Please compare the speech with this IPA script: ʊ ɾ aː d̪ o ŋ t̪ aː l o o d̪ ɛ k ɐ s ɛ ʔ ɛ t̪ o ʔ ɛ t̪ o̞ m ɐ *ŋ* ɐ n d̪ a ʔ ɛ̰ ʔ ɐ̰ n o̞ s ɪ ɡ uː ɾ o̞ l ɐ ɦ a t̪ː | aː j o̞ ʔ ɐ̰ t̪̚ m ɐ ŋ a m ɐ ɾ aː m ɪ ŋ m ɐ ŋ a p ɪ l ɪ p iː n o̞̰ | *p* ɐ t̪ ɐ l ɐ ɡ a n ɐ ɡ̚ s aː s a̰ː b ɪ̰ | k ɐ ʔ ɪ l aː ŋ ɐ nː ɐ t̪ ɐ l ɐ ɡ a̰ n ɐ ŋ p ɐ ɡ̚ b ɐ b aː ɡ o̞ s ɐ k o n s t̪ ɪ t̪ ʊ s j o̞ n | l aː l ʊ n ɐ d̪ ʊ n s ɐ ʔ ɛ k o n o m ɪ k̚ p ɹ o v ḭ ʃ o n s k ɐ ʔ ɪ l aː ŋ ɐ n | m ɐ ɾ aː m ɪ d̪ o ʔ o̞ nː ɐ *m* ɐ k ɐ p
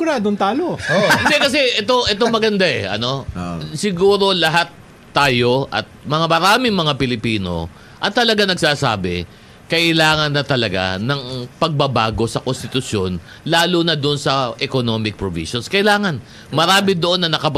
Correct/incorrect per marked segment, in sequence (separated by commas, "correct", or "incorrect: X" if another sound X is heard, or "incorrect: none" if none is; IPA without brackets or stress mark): incorrect: ɡ, incorrect: ʔ, incorrect: n